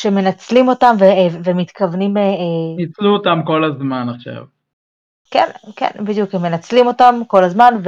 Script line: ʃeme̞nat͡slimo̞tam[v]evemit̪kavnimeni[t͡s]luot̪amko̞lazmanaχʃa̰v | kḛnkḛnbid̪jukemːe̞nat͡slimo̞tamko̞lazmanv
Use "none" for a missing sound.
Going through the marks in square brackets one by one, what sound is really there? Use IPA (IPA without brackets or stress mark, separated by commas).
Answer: v, t͡s